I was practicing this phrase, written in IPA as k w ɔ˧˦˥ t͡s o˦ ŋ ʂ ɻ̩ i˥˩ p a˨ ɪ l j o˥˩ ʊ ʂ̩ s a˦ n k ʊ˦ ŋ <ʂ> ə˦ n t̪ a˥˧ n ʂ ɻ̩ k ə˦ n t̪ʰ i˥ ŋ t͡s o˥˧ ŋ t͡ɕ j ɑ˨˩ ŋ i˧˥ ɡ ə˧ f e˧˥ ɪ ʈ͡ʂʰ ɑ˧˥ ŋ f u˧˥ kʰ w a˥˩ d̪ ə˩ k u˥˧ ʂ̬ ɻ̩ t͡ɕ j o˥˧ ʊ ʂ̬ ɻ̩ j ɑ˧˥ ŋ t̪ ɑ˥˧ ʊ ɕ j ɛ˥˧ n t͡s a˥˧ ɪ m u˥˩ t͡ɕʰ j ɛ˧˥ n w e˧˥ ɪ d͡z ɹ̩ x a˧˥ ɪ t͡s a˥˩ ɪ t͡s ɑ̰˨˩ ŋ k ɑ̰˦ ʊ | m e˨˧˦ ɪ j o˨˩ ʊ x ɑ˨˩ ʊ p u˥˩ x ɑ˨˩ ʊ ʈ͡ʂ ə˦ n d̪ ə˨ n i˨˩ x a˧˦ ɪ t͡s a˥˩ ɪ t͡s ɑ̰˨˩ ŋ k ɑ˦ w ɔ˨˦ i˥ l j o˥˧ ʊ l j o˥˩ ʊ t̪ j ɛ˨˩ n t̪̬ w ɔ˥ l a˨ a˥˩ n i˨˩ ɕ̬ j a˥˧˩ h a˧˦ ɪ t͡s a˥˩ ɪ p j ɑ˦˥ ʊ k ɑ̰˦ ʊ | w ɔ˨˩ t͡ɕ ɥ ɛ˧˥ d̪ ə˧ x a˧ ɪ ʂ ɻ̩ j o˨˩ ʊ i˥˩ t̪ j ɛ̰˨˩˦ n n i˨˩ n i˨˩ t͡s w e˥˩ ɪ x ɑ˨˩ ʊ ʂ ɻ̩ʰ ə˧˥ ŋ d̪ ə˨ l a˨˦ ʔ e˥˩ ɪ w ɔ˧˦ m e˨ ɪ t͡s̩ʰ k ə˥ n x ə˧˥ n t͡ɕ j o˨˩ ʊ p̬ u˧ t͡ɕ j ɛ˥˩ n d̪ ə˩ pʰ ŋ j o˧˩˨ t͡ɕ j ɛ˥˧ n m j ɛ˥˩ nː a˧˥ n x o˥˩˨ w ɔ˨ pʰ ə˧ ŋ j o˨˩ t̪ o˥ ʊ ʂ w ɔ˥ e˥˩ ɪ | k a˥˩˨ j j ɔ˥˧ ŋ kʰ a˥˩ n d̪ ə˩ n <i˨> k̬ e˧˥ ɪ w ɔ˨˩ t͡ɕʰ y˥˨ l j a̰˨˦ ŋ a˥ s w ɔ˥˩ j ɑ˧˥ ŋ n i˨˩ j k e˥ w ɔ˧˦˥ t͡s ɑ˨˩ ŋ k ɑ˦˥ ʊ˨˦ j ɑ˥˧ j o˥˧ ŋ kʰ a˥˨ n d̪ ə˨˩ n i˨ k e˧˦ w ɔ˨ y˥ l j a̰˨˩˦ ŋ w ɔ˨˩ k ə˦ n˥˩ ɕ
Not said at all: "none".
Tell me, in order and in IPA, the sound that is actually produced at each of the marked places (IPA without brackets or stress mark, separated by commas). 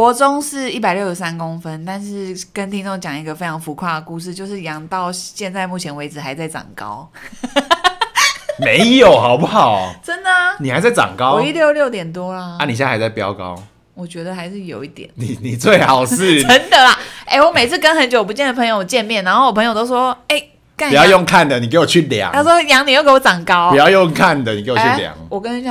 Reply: f, i˨